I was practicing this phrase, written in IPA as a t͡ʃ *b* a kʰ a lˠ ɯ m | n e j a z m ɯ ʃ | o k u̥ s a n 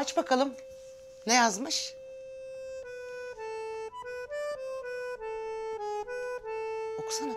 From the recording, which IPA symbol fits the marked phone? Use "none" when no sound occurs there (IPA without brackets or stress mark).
b